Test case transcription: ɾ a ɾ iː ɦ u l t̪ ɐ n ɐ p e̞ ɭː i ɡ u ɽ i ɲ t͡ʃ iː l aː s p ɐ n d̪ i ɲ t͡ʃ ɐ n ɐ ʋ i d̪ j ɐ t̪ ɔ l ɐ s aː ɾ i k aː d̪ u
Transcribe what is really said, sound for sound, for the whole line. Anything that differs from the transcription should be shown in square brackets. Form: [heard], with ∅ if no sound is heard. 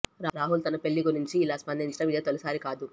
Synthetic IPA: ɾ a ɾ [aː] ɦ u l t̪ ɐ n ɐ p e̞ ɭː i ɡ u [ɾ] i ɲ t͡ʃ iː l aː s p ɐ n d̪ i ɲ t͡ʃ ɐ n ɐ ʋ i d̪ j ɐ t̪ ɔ l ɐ s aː ɾ i k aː d̪ u

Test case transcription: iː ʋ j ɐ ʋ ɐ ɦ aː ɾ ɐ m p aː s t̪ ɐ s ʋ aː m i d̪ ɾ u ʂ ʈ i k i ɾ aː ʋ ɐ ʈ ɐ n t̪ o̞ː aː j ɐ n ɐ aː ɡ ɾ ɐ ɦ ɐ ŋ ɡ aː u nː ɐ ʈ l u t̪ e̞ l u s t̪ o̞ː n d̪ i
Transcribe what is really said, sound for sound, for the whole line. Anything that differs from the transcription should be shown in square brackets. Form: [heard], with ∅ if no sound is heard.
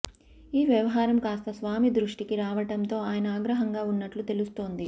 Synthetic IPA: iː ʋ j ɐ ʋ ɐ ɦ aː ɾ ɐ m [k] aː s t̪ ɐ s ʋ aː m i d̪ ɾ u ʂ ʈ i k i ɾ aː ʋ ɐ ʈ ɐ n t̪ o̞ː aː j ɐ n ɐ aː ɡ ɾ ɐ ɦ ɐ ŋ ɡ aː u nː ɐ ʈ l u t̪ e̞ l u s t̪ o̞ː n d̪ i

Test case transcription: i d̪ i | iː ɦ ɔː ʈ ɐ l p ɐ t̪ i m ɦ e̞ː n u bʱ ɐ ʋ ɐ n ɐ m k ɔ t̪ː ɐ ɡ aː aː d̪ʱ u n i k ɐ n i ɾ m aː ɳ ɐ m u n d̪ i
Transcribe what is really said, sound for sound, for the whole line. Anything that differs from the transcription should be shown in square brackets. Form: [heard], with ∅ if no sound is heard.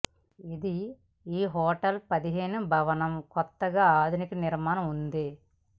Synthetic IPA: i d̪ i | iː ɦ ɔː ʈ ɐ l p ɐ [d̪] i [∅] ɦ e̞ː n u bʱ ɐ ʋ ɐ n ɐ m k ɔ t̪ː ɐ ɡ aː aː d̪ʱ u n i k ɐ n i ɾ m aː [n] ɐ m u n d̪ i

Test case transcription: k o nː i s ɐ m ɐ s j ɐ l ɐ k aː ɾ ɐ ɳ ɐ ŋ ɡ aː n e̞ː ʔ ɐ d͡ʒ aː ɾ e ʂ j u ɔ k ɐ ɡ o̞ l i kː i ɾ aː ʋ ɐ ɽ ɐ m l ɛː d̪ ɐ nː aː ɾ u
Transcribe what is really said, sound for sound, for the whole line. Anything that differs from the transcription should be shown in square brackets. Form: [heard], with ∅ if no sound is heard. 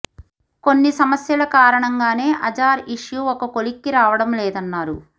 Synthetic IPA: k o nː i s ɐ m ɐ s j ɐ l ɐ k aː ɾ ɐ ɳ ɐ ŋ ɡ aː n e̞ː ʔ ɐ d͡ʒ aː ɾ [i] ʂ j u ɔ k ɐ [k] o̞ l i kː i ɾ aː ʋ ɐ ɽ ɐ m l ɛː d̪ ɐ nː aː ɾ u

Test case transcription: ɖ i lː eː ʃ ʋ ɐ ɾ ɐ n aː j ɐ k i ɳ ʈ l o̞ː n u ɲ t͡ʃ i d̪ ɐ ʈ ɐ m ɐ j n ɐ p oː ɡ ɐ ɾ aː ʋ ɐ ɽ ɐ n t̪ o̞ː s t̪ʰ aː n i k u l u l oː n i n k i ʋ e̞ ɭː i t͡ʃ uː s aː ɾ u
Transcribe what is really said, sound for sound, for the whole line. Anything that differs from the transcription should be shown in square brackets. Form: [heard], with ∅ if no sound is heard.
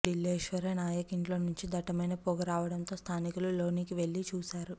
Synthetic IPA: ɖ i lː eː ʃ ʋ ɐ ɾ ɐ n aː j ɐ k i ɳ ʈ l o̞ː n u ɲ t͡ʃ i d̪ ɐ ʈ ɐ m ɐ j n ɐ p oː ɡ ɐ ɾ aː ʋ ɐ ɽ ɐ n t̪ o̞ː s t̪ʰ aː n i k u l u l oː n i [∅] k i ʋ e̞ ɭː i t͡ʃ uː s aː ɾ u

